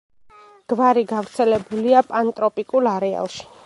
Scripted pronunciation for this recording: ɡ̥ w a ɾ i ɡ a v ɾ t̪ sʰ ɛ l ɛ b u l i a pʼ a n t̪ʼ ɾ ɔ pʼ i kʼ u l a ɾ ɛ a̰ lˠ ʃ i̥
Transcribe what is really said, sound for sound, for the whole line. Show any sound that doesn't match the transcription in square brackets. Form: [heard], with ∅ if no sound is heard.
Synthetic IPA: ɡ̥ [v] a ɾ i ɡ a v ɾ t̪ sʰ ɛ l ɛ b u l i a pʼ a n t̪ʼ ɾ ɔ pʼ i kʼ u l a ɾ ɛ a̰ lˠ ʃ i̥